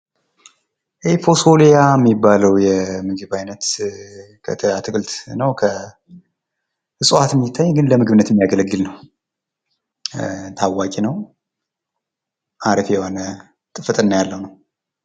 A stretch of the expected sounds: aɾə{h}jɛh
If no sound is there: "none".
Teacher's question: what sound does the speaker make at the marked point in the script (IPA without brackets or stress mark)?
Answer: f